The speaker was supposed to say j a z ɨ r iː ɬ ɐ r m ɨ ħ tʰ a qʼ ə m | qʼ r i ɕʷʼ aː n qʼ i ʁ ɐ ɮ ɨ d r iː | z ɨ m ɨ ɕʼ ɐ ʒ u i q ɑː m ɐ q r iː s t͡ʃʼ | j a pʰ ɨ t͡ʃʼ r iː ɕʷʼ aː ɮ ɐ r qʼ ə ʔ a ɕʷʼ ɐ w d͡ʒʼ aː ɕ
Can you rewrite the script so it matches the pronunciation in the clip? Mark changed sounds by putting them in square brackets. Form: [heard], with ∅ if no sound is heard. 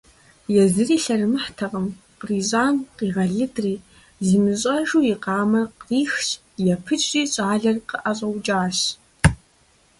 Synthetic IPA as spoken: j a z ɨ r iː ɬ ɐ r m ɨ ħ tʰ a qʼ ə m | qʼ r i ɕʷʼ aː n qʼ i ʁ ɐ ɮ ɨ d r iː | z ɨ m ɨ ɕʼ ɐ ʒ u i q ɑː m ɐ q r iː [x] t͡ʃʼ | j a pʰ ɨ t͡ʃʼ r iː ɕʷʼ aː ɮ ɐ r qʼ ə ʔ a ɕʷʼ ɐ w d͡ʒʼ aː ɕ